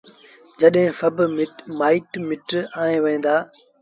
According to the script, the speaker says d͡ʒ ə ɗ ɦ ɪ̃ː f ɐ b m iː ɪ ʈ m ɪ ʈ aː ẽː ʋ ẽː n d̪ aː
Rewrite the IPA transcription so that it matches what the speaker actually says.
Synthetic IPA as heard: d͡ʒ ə ɗ ɦ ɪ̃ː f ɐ b m aː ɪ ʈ m ɪ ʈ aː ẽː ʋ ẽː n d̪ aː